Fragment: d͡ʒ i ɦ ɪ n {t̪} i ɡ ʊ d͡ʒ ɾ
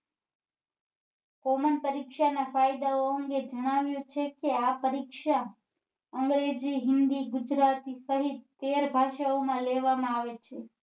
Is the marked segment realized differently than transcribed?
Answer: yes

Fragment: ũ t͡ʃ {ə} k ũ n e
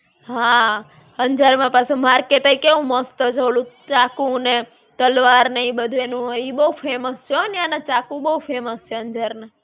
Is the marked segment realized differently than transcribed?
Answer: yes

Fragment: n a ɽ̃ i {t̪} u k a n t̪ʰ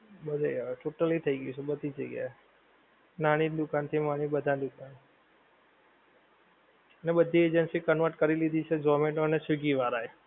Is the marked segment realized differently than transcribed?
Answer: yes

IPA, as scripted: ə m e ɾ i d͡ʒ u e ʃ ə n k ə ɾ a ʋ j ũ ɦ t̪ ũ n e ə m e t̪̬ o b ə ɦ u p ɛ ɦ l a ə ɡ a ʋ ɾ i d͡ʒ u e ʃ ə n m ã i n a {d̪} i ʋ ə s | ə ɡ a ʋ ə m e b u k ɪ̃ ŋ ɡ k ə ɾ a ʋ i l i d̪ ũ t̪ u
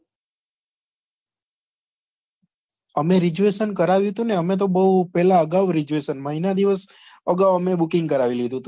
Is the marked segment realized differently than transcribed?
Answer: no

